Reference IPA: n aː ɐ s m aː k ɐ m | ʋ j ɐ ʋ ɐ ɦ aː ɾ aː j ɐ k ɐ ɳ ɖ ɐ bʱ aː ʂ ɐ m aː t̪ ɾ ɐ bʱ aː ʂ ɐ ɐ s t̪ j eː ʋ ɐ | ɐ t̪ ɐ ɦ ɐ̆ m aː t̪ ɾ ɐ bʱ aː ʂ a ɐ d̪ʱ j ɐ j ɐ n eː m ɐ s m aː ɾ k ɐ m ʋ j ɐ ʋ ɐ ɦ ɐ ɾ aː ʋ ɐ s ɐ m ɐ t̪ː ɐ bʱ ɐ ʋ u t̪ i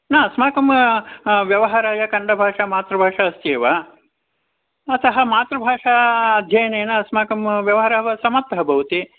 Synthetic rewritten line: n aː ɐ s m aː k ɐ m | ʋ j ɐ ʋ ɐ ɦ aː ɾ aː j ɐ k ɐ ɳ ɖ ɐ bʱ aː ʂ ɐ m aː t̪ ɾ ɐ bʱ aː ʂ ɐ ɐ s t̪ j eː ʋ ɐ | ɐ t̪ ɐ ɦ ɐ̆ m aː t̪ ɾ ɐ bʱ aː ʂ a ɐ d̪ʱ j ɐ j ɐ n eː n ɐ s m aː k ɐ m ʋ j ɐ ʋ ɐ ɦ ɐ ɾ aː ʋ ɐ s ɐ m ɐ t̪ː ɐ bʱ ɐ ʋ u t̪ i